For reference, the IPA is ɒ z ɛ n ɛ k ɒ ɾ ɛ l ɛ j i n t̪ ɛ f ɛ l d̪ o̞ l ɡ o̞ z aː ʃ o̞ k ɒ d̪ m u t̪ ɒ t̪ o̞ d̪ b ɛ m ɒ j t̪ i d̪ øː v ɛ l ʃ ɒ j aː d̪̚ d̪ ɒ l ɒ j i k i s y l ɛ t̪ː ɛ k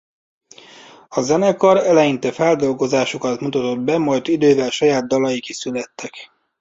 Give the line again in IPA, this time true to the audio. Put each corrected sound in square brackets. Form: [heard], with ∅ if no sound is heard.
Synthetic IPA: ɒ z ɛ n ɛ k ɒ ɾ ɛ l ɛ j i n t̪ ɛ f ɛ l d̪ o̞ l ɡ o̞ z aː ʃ o̞ k ɒ [t̪] m u t̪ ɒ t̪ o̞ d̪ b ɛ m ɒ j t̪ i d̪ øː v ɛ l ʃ ɒ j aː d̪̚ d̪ ɒ l ɒ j i k i s y l ɛ t̪ː ɛ k

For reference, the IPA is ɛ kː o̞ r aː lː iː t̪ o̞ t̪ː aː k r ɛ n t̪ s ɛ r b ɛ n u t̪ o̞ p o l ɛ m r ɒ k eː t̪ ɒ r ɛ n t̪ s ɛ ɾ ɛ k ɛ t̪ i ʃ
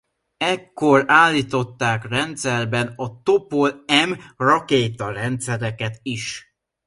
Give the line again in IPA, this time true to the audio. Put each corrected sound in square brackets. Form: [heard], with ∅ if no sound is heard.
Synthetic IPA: ɛ kː o̞ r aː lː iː t̪ o̞ t̪ː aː k r ɛ n t̪ s ɛ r b ɛ n [ɒ] t̪ o̞ p o l ɛ m r ɒ k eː t̪ ɒ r ɛ n t̪ s ɛ ɾ ɛ k ɛ t̪ i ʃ

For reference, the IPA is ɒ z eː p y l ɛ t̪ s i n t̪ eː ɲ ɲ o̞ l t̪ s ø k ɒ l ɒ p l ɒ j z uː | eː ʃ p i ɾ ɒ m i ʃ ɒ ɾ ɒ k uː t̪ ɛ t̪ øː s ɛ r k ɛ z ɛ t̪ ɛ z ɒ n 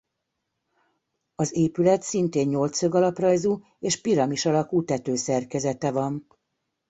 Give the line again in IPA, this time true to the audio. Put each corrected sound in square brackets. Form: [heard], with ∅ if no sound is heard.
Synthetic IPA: ɒ z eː p y l ɛ t̪ s i n t̪ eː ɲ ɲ o̞ l t̪ s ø [ɡ] ɒ l ɒ p [r] ɒ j z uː | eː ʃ p i ɾ ɒ m i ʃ ɒ [l] ɒ k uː t̪ ɛ t̪ øː s ɛ r k ɛ z ɛ t̪ ɛ [v] ɒ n

